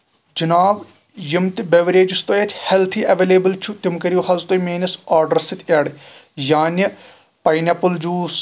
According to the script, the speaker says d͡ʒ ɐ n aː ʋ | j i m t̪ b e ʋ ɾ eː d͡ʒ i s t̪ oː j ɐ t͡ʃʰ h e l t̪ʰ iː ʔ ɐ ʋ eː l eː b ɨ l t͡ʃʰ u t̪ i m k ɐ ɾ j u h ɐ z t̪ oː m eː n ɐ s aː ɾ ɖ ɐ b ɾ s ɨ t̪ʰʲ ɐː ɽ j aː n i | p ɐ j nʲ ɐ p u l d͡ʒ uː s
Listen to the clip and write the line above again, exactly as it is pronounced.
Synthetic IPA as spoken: d͡ʒ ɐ n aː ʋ | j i m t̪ b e ʋ ɾ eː d͡ʒ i s t̪ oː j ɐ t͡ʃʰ h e l t̪ʰ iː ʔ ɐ ʋ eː l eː b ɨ l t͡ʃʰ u t̪ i m k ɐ ɾ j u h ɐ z t̪ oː m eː n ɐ s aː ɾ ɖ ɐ ɾ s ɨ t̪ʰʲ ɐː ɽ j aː n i | p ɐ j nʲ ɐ p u l d͡ʒ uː s